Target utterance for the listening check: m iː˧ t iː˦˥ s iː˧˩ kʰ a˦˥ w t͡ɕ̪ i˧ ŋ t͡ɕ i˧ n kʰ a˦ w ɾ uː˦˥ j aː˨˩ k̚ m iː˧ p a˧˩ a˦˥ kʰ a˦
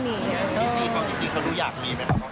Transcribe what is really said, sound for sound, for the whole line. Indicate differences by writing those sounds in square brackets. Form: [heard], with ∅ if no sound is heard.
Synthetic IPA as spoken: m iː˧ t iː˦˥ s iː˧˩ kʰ a˦˥ w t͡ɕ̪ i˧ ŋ t͡ɕ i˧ [ŋ] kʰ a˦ w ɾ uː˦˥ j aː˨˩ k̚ m iː˧ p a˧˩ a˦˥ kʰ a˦